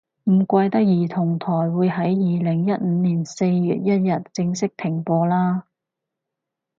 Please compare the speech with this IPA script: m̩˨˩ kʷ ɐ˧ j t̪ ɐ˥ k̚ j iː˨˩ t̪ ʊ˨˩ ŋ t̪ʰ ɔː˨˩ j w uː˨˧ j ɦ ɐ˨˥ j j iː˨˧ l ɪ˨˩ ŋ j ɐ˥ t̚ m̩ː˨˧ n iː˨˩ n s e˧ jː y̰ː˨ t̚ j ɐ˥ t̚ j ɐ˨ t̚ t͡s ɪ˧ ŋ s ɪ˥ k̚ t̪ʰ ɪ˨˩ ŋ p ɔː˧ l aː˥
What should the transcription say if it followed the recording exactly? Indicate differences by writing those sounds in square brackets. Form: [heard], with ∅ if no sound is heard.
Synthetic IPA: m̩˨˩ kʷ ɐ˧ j t̪ ɐ˥ k̚ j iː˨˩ [t̪ʰ] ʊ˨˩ ŋ t̪ʰ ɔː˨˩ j w uː˨˧ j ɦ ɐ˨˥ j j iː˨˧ l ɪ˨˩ ŋ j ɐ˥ t̚ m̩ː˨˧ n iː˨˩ n s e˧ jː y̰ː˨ t̚ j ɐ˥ t̚ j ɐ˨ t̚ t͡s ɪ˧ ŋ s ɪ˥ k̚ t̪ʰ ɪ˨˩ ŋ p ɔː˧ l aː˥